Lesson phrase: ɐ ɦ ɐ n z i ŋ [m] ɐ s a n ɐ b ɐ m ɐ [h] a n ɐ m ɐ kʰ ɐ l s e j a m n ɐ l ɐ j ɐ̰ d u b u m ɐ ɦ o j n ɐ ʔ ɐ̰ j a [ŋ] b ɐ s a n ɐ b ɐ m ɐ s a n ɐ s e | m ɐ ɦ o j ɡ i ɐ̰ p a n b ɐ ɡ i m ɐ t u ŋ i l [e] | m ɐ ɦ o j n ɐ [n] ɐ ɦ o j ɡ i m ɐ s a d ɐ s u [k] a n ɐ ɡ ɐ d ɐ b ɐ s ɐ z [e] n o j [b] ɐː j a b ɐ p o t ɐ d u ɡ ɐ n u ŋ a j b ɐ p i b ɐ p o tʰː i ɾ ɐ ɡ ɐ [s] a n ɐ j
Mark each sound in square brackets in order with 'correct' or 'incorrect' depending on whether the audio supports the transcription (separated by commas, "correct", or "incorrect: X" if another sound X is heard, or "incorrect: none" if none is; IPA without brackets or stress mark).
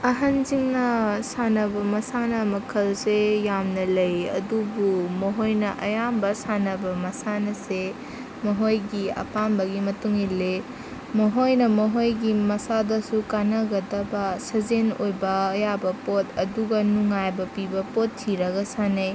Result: incorrect: n, incorrect: s, incorrect: m, correct, incorrect: m, correct, correct, correct, correct